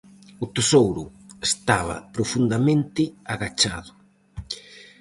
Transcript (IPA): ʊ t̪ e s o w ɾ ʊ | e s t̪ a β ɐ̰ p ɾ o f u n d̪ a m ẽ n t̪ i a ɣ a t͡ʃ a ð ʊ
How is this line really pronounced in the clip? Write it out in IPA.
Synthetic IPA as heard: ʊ t̪ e s o w ɾ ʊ | e s t̪ a β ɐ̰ p ɾ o f u n d̪ a m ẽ n t̪ ɪ a ɣ a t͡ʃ a ð ʊ

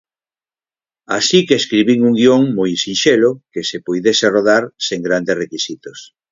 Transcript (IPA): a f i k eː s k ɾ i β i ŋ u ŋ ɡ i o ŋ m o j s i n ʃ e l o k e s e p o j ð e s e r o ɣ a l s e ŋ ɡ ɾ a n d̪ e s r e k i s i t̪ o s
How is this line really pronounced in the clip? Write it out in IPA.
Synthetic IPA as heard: a s i k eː s k ɾ i β i ŋ u ŋ ɡ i o ŋ m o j s i n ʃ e l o k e s e p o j ð e s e r o ð a ɾ s e ŋ ɡ ɾ a n d̪ e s r e k i s i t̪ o s

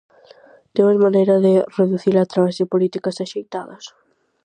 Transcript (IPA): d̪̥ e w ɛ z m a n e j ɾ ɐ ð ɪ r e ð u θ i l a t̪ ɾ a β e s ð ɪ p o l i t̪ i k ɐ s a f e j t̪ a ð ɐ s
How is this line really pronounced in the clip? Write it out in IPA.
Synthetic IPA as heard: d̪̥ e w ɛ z m a n e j ɾ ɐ ð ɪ r e ð u θ i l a t̪ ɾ a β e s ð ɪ p o l i t̪ i k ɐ s a ʃ e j t̪ a ð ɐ s

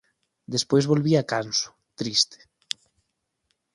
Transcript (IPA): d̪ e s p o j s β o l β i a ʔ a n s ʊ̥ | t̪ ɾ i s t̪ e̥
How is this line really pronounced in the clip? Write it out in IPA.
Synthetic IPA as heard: d̪ e s p o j z β o l β i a k a n s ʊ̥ | t̪ ɾ i s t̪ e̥

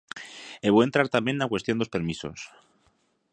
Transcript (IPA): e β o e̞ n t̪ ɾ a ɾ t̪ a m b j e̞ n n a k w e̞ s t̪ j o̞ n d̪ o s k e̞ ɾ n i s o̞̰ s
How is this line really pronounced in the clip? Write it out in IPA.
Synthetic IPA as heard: e β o e̞ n t̪ ɾ a ɾ t̪ a m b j e̞ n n a k w e̞ s t̪ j o̞ n d̪ o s p e̞ ɾ m i s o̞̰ s

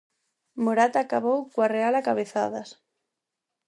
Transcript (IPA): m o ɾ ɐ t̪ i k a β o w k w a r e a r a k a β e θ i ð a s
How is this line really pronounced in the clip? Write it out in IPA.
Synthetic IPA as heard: m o ɾ a t̪ a k a β o w k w a r e a l a k a β e θ a ð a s

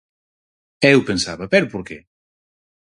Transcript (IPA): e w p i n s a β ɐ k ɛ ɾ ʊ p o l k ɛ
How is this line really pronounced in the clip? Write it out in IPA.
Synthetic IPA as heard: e w p e n s a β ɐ p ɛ ɾ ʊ p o ɾ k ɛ

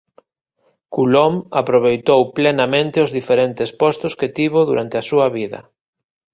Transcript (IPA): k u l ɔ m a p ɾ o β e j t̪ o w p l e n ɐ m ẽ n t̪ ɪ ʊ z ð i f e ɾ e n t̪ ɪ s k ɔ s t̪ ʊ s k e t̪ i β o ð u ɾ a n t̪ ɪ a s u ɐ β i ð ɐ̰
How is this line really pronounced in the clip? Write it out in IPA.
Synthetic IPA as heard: k u l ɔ m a p ɾ o β e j t̪ o w p l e n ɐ m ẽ n t̪ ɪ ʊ z ð i f e ɾ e n t̪ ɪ s p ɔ s t̪ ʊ s k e t̪ i β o ð u ɾ a n t̪ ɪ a s u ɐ β i ð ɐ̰

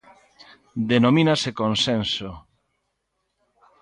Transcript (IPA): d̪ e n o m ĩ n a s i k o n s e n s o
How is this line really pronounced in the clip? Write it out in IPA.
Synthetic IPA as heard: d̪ e n o m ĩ n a s e k o n s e n s o

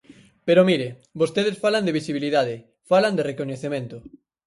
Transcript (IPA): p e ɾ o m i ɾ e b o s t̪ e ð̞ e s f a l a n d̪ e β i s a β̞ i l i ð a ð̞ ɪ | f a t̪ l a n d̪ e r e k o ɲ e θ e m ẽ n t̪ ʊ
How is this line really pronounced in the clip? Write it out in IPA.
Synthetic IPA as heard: p e ɾ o m i ɾ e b o s t̪ e ð̞ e s f a l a n d̪ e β i s i β̞ i l i ð a ð̞ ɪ | f a l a n d̪ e r e k o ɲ e θ e m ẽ n t̪ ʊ

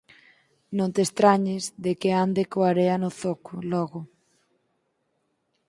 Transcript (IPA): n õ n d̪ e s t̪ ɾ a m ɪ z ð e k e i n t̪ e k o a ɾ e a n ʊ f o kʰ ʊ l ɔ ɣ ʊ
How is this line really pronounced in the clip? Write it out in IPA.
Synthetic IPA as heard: n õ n t̪ e s t̪ ɾ a ɲ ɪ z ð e k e a n d̪ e k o a ɾ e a n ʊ θ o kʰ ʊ l ɔ ɣ ʊ

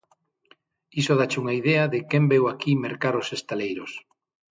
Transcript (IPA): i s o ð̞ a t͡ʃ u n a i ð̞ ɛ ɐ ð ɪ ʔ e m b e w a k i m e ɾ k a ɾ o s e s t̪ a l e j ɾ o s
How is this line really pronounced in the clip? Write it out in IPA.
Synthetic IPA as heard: i s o ð̞ a t͡ʃ u ŋ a i ð̞ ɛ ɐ ð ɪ k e m b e w a k i m e ɾ k a ɾ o s e s t̪ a l e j ɾ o s

